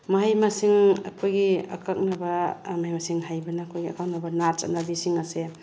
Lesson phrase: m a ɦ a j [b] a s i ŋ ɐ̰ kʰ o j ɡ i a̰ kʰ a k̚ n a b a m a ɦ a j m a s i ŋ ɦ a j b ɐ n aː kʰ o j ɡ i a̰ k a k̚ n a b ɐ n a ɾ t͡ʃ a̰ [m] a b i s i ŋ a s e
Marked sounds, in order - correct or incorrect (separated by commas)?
incorrect, incorrect